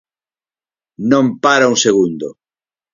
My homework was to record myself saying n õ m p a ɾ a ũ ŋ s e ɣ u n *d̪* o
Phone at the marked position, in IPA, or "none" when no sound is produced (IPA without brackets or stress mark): d̪